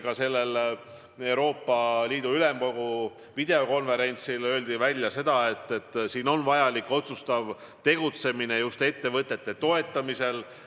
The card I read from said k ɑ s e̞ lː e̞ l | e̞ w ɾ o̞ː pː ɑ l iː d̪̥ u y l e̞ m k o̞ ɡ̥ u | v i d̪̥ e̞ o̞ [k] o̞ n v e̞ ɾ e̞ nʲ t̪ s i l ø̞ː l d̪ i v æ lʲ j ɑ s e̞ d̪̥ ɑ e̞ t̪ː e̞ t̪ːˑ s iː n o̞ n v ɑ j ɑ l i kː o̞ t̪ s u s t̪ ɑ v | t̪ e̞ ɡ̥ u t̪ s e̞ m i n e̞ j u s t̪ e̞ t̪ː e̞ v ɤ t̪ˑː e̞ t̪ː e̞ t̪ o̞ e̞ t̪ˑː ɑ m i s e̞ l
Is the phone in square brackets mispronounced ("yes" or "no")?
no